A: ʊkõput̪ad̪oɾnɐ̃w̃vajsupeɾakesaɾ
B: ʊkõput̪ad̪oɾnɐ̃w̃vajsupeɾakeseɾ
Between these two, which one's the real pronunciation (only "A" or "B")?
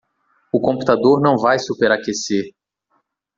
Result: B